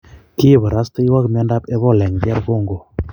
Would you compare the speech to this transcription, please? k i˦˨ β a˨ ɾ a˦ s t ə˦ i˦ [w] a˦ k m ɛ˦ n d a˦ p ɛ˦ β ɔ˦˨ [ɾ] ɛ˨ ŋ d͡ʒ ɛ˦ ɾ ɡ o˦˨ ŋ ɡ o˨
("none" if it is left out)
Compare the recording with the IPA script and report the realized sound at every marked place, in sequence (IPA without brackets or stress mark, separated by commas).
w, l